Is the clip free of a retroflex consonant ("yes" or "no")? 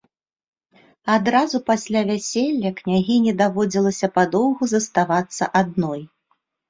yes